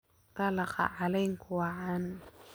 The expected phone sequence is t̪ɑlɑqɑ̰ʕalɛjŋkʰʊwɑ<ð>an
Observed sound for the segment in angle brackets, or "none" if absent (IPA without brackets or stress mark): ʕ